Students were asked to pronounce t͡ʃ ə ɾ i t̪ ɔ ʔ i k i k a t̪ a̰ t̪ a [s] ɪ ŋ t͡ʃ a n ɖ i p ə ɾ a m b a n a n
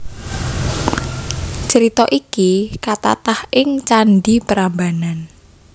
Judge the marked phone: incorrect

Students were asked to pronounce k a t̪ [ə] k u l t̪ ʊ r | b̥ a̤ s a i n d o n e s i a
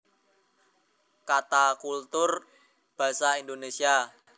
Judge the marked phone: incorrect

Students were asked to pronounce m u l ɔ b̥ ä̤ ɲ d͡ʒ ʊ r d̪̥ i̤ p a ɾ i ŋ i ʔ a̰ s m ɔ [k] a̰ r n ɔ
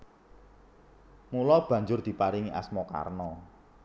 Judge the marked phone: correct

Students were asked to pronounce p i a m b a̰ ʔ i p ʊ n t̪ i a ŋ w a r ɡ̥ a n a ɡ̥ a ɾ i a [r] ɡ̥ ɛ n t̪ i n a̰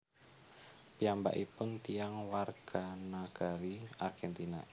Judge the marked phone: correct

